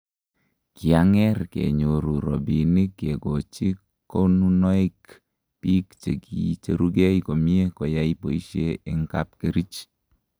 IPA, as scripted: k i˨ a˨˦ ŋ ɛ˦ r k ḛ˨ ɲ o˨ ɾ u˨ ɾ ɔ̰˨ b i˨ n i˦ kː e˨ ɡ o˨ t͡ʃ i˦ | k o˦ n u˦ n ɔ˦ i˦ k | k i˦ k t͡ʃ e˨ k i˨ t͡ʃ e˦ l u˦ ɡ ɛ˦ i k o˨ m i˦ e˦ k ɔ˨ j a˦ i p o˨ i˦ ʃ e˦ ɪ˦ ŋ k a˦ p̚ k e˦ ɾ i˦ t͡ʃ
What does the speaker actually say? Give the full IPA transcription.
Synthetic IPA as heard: k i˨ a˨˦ ŋ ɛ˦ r k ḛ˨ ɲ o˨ ɾ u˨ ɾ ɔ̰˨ b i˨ n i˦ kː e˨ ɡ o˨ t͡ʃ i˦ | k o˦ n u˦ n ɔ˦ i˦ k | p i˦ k t͡ʃ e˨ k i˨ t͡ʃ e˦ ɾ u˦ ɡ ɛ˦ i k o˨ m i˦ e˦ k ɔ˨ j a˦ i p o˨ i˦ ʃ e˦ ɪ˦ ŋ k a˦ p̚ k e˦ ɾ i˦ t͡ʃ